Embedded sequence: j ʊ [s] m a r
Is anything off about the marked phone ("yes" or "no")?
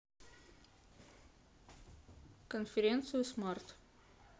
no